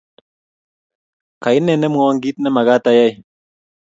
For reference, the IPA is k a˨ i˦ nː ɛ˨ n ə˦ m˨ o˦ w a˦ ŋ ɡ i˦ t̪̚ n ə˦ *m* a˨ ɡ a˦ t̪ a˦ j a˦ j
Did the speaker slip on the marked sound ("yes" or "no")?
no